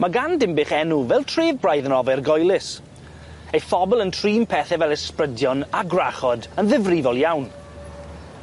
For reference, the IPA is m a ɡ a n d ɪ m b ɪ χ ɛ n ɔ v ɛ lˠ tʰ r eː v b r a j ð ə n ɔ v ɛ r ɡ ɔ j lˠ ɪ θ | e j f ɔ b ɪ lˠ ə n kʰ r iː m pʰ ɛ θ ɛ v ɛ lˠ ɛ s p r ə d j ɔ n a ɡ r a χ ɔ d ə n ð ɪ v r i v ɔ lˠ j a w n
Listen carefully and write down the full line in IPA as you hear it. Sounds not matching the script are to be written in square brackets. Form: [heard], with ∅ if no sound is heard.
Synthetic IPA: m a ɡ a n d ɪ m b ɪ χ ɛ n [u] v ɛ lˠ tʰ r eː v b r a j ð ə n ɔ v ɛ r ɡ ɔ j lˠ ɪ [s] | e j f ɔ b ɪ lˠ ə n [tʰ] r iː m pʰ ɛ θ ɛ v ɛ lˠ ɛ s p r ə d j ɔ n a ɡ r a χ ɔ d ə n ð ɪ v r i v ɔ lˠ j a w n